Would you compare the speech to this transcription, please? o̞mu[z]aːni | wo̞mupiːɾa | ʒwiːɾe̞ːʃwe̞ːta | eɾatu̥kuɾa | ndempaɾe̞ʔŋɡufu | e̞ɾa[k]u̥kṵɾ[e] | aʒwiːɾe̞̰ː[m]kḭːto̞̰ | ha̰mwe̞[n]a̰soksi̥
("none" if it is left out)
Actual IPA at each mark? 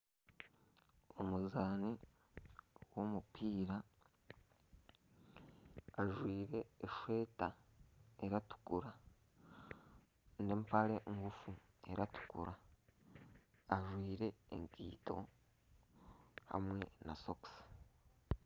z, t, a, ŋ, n

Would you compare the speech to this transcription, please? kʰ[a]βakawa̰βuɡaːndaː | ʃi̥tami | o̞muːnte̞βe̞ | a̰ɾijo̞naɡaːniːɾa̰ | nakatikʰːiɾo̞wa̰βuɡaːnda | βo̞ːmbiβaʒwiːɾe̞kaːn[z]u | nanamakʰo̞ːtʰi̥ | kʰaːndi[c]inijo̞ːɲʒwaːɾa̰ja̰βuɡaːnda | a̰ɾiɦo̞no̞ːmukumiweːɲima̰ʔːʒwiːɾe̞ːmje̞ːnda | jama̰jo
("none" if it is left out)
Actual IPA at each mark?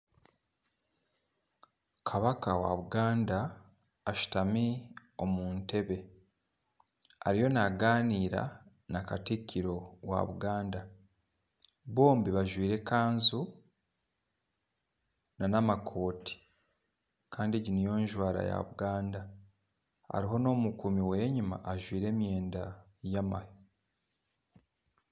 a, z, ɟ

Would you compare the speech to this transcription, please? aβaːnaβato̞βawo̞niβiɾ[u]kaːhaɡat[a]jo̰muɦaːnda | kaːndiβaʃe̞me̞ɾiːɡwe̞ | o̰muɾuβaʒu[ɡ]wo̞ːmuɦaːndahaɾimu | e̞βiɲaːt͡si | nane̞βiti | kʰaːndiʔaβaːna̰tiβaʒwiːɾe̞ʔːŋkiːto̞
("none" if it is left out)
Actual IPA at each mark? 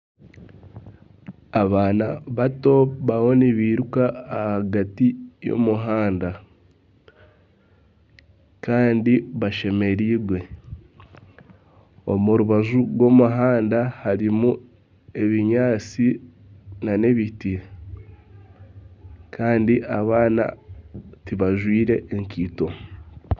u, i, ɡ

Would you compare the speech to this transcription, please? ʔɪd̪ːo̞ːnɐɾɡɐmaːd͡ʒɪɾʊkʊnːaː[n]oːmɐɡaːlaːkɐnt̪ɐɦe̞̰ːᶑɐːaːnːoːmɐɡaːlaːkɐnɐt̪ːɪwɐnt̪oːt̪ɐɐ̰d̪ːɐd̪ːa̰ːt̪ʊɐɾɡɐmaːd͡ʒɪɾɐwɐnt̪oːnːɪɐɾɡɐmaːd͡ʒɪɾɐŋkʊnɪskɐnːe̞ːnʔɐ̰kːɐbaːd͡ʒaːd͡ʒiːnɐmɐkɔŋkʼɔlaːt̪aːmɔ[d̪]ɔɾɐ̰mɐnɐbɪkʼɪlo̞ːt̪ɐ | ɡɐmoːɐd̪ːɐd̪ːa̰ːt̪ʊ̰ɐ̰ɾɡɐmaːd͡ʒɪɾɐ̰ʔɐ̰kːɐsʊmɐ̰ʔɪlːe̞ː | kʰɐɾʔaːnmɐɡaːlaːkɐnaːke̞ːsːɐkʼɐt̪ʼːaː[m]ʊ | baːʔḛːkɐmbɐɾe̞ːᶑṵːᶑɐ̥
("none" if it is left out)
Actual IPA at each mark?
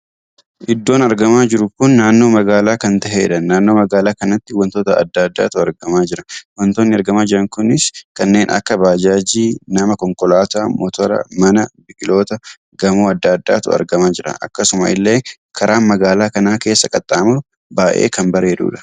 nː, t̪, m

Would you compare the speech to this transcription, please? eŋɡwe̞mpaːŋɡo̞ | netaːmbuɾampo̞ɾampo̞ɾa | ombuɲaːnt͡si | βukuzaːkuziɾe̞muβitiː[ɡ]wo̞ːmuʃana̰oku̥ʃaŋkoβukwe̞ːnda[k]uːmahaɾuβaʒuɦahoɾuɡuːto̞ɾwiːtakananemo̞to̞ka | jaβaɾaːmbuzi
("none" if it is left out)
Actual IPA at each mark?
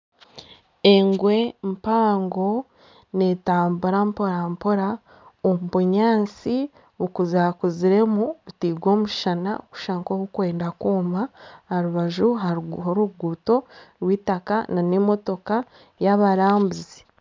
ɡ, k

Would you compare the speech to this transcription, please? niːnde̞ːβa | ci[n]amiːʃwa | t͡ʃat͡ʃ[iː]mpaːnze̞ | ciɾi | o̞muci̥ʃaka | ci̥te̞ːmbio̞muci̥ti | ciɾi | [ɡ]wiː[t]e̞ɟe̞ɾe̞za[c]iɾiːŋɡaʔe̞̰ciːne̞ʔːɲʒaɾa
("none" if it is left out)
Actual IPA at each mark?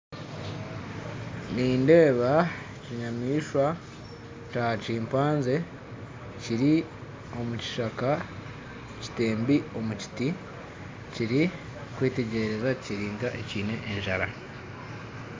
ɲ, iː, k, t, c

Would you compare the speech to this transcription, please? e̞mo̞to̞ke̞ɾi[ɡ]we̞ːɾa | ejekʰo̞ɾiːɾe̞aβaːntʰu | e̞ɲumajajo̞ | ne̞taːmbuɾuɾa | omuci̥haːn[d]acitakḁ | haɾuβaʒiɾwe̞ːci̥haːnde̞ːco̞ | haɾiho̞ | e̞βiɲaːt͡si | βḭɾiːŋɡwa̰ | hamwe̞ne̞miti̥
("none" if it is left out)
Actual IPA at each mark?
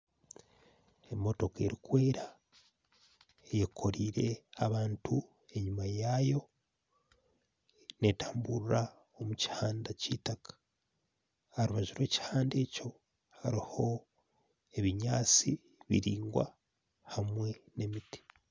k, d

